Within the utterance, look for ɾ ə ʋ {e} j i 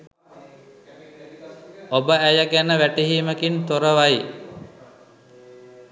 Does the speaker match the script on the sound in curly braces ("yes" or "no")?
no